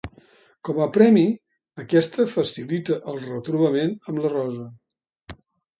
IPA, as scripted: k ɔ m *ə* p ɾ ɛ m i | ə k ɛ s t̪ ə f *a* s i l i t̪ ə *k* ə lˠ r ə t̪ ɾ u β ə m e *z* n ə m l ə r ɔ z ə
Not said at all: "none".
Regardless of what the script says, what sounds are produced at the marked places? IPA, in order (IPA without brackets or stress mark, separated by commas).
ə, ə, ʔ, none